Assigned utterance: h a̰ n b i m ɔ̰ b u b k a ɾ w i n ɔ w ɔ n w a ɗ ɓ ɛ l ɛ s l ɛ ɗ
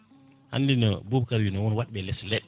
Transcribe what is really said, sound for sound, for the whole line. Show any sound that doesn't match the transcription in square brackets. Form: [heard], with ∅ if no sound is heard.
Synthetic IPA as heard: h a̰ n [d] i [n] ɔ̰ b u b k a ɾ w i n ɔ w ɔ n w a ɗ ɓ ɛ l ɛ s l ɛ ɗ